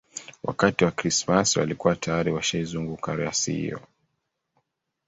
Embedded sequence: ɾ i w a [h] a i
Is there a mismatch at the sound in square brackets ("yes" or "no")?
yes